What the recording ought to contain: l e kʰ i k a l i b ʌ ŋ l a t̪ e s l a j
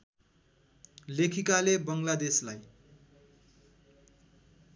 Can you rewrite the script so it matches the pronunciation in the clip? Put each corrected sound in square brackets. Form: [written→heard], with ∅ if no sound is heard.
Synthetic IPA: l e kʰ i k a l [i→e] b ʌ ŋ l a [t̪→d̪] e s l a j